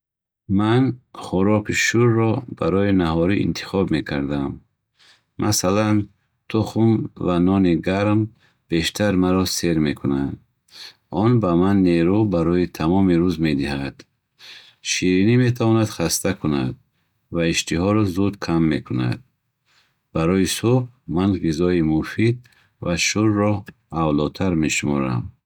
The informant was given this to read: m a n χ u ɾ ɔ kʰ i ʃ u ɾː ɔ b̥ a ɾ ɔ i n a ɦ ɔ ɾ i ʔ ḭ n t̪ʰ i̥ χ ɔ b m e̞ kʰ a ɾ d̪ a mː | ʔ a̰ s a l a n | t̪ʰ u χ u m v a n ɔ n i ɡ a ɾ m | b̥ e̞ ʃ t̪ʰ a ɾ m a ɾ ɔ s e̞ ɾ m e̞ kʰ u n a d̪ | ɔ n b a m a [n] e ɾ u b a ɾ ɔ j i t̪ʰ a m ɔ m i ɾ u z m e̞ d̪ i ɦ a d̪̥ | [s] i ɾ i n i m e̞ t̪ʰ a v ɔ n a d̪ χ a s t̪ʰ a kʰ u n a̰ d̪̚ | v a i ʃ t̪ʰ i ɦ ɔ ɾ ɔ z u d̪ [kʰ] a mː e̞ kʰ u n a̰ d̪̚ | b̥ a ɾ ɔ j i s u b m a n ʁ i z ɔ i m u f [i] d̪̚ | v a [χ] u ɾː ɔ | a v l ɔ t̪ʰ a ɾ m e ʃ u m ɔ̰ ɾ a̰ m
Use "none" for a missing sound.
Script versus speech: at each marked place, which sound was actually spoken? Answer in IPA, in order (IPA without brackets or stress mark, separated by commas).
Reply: nː, ʃ, kʰ, i, ʃ